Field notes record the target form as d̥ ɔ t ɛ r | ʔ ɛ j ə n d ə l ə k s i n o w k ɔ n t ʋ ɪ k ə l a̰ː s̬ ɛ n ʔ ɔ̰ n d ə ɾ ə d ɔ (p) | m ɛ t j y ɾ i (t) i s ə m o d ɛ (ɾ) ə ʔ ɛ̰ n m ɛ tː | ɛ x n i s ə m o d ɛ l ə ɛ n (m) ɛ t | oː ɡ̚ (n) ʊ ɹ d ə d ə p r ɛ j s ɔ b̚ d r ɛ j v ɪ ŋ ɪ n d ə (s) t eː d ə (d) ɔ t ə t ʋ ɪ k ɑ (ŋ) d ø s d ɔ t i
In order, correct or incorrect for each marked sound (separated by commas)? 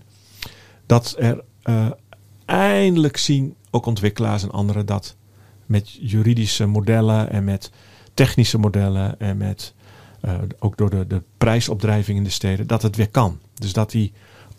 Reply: incorrect, incorrect, incorrect, correct, incorrect, correct, correct, incorrect